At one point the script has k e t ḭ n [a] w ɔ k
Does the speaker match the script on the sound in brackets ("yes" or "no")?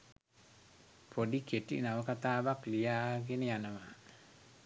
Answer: yes